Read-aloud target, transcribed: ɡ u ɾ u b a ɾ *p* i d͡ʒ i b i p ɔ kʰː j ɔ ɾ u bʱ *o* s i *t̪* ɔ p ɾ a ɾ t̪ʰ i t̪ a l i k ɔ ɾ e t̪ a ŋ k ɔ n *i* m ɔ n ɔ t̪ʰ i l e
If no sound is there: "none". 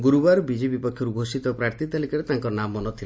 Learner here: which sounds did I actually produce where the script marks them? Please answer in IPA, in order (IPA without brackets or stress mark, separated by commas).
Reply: b, o, t̪, a